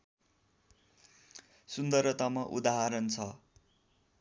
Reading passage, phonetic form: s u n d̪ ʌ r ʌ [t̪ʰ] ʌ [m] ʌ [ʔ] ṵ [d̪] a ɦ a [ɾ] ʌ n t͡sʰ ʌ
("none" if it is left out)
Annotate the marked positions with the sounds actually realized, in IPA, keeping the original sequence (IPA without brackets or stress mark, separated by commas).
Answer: t̪, m, ʔ, d̪, ɾ